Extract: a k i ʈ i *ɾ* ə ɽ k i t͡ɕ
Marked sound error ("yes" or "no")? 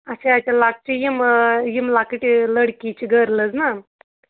yes